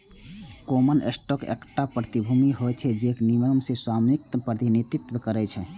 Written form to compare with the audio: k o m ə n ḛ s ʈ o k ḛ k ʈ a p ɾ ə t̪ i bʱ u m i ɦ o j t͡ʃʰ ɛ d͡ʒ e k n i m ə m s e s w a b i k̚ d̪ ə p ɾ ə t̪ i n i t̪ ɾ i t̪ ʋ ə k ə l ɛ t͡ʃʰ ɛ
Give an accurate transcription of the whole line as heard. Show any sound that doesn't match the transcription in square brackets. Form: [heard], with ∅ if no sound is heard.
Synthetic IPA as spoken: k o m ə n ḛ s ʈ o k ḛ k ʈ a p ɾ ə t̪ i bʱ u m i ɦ o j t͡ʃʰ ɛ d͡ʒ e k n i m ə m s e s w a [m] i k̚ [t̪] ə p ɾ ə t̪ i n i t̪ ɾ i t̪ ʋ ə k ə [ɾ] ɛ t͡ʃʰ ɛ